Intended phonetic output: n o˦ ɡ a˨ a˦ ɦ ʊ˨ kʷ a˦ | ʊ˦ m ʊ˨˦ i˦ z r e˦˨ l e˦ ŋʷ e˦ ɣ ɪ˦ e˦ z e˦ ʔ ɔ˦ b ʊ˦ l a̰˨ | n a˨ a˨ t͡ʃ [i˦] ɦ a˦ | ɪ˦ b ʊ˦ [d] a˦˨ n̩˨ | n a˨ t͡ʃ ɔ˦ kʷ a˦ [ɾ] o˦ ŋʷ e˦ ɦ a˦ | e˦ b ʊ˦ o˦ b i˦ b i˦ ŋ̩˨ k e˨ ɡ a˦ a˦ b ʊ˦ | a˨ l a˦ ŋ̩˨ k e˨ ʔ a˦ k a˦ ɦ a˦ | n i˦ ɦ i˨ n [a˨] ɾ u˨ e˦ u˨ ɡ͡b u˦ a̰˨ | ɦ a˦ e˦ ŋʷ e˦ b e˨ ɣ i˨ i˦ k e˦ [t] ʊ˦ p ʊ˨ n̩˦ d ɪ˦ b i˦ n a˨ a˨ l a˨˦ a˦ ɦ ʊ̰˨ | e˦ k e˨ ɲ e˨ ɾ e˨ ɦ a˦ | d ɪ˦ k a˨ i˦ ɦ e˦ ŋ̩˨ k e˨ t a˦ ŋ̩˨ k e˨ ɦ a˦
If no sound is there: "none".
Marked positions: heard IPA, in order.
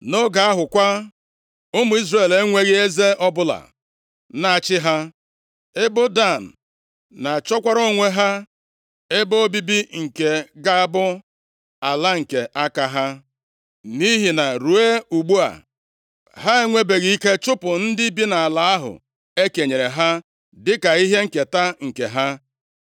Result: ɪ˦, d, ɾ, a˨, t͡ʃ

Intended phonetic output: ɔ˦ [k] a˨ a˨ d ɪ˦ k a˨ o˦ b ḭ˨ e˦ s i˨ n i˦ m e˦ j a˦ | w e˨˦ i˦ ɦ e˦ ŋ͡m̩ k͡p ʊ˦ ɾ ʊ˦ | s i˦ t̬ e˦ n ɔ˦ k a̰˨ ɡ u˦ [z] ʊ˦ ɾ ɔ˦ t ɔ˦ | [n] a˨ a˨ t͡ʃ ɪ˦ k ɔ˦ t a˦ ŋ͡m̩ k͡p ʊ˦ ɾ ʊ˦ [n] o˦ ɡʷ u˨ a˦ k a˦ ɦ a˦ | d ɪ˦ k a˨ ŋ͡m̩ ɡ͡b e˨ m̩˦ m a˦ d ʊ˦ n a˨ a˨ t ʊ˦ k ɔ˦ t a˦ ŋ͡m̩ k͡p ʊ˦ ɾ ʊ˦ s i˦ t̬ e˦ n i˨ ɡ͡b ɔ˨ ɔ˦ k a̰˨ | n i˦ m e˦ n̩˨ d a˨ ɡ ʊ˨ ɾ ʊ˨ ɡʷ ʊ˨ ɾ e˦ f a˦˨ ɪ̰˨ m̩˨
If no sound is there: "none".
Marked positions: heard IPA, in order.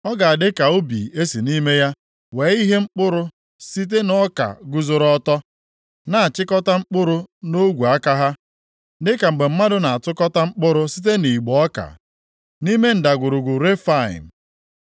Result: ɡ, z, n, n

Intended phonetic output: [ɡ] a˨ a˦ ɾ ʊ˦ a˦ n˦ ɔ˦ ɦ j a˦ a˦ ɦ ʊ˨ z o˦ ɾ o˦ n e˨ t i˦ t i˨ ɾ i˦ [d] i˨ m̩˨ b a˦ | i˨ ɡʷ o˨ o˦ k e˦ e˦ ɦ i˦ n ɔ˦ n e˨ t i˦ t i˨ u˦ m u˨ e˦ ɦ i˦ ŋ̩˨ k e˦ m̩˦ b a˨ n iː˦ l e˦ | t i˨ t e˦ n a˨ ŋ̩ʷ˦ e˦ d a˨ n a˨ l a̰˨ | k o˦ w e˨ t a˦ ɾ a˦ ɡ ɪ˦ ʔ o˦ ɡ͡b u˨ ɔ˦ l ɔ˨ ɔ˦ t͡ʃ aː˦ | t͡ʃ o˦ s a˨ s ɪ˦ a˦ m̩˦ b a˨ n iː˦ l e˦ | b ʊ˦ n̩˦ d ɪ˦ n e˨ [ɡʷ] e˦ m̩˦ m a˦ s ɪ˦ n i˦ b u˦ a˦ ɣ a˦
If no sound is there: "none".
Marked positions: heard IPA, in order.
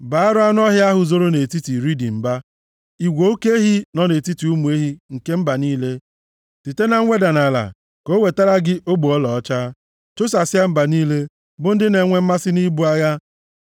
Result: b, d, ŋʷ

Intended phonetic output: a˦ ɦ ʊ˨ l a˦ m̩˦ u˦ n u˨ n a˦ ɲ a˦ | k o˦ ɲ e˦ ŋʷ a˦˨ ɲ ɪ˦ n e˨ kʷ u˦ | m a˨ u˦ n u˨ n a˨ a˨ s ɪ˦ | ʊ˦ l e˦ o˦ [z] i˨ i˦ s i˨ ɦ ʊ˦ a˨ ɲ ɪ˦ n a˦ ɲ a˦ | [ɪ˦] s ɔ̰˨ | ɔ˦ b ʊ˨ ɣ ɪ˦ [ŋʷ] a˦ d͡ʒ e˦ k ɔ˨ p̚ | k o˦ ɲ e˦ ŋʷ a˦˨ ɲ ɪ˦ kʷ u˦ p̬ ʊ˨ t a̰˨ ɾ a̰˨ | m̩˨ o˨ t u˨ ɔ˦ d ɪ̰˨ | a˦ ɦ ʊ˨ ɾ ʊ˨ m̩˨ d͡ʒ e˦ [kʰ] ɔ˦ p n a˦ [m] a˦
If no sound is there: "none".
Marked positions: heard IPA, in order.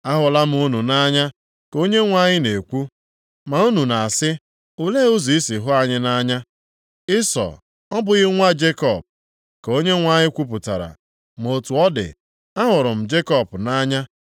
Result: z, ɪ˦, ŋʷ, k, ɲ

